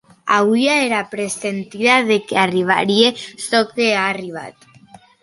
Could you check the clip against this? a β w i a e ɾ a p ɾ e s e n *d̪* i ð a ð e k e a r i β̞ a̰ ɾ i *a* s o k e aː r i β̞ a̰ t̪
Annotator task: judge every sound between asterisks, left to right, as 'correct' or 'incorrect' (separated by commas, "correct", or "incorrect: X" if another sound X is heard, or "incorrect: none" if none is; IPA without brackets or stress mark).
incorrect: t̪, incorrect: e